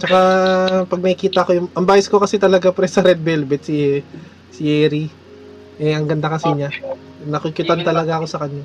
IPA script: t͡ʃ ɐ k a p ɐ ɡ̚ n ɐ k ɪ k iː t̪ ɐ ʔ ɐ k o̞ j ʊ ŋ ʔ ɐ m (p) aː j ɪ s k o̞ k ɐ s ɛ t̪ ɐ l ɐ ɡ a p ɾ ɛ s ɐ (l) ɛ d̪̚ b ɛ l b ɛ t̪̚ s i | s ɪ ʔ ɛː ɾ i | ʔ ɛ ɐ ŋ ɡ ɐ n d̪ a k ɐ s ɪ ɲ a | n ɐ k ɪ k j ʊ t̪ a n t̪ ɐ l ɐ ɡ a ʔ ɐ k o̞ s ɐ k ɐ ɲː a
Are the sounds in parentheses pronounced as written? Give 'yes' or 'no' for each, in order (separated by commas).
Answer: no, no